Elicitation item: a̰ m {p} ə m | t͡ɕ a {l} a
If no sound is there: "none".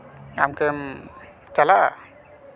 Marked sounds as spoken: k, l

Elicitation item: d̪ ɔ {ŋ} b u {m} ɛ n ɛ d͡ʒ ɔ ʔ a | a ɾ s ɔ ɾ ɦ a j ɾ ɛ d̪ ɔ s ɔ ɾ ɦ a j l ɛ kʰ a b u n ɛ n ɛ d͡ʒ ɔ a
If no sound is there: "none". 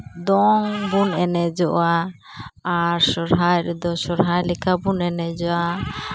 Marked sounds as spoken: ŋ, n

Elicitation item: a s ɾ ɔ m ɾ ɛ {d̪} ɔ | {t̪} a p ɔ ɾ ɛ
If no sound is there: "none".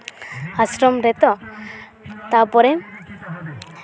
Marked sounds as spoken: t̪, t̪

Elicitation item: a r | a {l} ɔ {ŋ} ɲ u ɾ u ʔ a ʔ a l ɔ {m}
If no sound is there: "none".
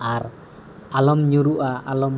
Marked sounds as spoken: l, m, m

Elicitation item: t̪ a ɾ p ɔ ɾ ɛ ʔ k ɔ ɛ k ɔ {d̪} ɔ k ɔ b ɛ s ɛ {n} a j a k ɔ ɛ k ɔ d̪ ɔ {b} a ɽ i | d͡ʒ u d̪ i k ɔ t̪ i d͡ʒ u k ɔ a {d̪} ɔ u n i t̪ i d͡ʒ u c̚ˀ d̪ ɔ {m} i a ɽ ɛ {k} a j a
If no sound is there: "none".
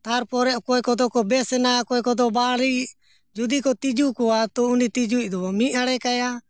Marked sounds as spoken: d̪, n, b, t̪, m, k

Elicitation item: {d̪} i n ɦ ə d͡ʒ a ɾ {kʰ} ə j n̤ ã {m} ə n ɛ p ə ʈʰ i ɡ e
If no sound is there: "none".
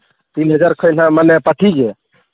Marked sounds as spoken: t̪, kʰ, m

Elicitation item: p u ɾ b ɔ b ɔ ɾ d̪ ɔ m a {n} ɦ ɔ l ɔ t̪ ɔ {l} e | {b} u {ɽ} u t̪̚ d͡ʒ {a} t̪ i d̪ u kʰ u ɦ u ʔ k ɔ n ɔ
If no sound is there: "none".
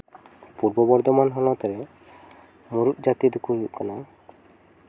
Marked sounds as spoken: n, ɾ, m, ɾ, a

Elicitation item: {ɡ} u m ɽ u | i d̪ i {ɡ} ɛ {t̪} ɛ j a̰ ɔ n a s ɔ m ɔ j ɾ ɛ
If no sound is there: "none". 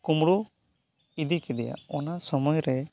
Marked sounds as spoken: k, k, d̪

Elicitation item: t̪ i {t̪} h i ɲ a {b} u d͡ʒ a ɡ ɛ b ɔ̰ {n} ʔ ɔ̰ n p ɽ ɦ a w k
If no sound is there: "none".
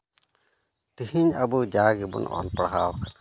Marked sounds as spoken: none, b, n

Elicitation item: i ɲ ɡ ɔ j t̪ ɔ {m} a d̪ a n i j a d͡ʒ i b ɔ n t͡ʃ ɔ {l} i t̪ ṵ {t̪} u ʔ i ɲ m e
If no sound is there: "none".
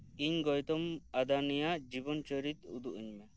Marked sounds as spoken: m, ɾ, d̪

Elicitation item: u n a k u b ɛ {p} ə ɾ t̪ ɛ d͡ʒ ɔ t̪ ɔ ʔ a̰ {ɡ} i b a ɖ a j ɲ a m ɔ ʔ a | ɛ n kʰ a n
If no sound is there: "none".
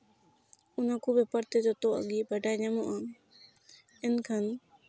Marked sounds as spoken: p, ɡ

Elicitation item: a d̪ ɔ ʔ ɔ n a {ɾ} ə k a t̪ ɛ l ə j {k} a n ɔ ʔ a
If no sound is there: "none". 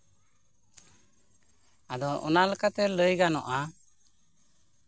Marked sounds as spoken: l, ɡ

